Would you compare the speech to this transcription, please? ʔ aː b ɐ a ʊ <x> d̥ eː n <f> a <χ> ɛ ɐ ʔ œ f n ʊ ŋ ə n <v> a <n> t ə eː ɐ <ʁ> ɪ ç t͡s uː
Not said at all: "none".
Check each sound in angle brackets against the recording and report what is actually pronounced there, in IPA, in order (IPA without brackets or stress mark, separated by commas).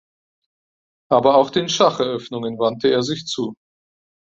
x, ʃ, χ, v, n, z